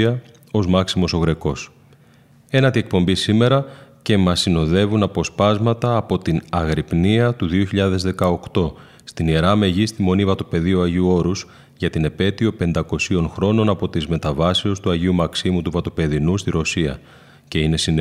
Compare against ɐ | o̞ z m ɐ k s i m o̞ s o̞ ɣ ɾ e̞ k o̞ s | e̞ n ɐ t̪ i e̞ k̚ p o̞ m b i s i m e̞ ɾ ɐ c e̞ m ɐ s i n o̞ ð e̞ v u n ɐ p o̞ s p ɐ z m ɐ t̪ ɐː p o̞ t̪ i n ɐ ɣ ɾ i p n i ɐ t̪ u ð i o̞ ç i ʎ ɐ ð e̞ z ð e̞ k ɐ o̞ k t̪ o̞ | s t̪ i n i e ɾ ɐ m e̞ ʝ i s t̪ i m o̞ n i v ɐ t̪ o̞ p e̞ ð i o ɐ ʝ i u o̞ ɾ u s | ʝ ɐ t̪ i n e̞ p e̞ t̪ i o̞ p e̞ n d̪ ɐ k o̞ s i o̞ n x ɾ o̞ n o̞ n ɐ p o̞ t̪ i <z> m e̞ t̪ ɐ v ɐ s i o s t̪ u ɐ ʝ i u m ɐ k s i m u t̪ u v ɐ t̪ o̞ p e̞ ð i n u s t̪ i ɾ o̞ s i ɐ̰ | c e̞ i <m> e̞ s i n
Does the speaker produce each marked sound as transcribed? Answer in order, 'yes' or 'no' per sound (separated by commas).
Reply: yes, no